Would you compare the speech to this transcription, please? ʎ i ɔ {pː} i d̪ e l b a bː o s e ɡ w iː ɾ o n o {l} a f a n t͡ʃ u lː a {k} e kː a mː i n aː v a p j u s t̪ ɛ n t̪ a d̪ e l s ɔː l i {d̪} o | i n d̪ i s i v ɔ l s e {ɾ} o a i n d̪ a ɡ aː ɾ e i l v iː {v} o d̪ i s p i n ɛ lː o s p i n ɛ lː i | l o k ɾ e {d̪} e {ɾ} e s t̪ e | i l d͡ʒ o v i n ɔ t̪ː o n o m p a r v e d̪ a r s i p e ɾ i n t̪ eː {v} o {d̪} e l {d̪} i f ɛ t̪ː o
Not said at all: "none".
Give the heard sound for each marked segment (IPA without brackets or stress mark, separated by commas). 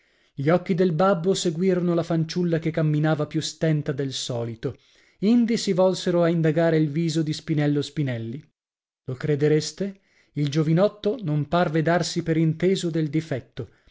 kː, l, k, t̪, ɾ, z, d̪, ɾ, z, d̪, d̪